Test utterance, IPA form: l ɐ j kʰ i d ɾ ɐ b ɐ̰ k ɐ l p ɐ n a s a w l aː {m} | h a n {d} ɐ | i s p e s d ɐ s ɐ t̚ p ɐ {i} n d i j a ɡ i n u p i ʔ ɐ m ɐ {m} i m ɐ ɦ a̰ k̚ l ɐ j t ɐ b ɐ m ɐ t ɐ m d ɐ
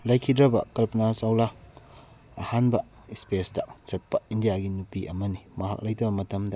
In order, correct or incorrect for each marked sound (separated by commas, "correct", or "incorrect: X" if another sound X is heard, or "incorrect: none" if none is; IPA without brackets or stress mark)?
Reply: incorrect: none, incorrect: b, correct, incorrect: n